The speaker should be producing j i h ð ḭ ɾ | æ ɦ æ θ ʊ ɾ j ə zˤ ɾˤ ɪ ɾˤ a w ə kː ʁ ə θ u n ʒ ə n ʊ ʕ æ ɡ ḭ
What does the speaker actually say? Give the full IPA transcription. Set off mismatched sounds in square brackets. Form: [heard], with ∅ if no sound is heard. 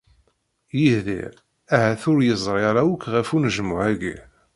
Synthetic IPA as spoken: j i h ð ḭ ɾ | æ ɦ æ θ ʊ ɾ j ə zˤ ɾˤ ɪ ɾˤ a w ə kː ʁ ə [f] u n ʒ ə [m] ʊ ʕ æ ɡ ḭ